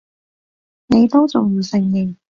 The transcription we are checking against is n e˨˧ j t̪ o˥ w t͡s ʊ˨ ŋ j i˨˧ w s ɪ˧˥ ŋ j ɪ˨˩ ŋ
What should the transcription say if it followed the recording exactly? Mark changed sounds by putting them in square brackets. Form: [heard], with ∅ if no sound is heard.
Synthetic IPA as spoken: n e˨˧ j t̪ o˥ w t͡s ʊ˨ ŋ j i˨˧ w s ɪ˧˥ ŋ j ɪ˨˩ ŋ